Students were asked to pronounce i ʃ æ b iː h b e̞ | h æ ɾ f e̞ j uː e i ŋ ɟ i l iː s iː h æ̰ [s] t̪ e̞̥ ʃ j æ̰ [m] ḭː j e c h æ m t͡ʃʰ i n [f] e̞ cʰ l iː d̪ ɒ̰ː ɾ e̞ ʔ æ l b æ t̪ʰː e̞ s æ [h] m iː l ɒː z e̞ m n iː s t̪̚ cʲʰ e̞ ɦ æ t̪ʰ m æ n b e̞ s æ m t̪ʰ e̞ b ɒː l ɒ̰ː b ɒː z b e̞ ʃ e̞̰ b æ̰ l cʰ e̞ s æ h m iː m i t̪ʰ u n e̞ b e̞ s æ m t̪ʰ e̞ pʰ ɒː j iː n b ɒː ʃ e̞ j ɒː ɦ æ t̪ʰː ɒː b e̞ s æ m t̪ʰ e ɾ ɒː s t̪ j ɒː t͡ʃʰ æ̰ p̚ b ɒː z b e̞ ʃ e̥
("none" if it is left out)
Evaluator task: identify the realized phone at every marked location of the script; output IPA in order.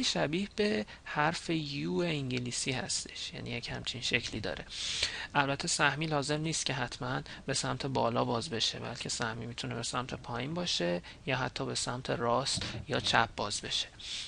s, n, ʃ, h

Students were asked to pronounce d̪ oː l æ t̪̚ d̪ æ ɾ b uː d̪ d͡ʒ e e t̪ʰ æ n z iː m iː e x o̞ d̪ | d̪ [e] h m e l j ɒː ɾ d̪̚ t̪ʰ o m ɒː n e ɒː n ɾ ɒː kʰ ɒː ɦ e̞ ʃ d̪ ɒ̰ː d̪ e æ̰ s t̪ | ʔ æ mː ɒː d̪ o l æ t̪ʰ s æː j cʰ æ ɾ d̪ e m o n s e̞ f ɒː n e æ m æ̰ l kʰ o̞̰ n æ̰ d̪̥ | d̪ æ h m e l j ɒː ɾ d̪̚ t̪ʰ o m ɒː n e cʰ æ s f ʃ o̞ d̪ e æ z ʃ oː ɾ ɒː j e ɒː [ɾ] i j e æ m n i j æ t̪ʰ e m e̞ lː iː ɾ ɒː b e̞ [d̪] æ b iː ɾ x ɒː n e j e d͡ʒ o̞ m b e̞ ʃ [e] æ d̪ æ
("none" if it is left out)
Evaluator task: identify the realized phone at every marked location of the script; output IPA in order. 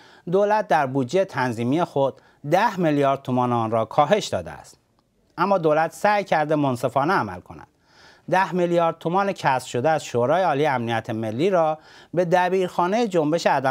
æ, l, d̪, e

